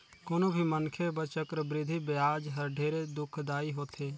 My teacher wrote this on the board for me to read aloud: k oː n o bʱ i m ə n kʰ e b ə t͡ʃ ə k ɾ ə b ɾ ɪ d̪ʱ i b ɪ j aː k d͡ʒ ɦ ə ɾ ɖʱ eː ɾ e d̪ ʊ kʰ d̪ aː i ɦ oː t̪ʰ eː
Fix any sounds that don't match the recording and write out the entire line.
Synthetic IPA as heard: k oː n o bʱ i m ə n kʰ e b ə t͡ʃ ə k ɾ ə b ɾ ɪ d̪ʱ i b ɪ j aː d͡ʒ ɦ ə ɾ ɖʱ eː ɾ e d̪ ʊ kʰ d̪ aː i ɦ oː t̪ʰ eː